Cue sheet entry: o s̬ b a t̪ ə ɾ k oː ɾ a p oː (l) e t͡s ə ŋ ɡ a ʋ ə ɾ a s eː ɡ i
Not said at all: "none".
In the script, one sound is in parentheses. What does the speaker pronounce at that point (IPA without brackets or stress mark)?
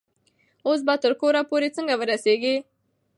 ɾ